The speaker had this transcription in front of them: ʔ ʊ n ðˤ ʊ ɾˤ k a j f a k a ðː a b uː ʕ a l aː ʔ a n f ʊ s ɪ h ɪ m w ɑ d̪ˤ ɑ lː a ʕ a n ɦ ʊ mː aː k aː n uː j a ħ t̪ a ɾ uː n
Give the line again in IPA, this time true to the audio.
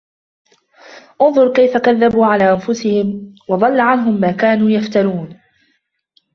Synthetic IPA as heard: ʔ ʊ n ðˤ ʊ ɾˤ k a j f a k a ðː a b uː ʕ a l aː ʔ a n f ʊ s ɪ h ɪ m w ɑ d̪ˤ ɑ lː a ʕ a n ɦ ʊ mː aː k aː n uː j a f t̪ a ɾ uː n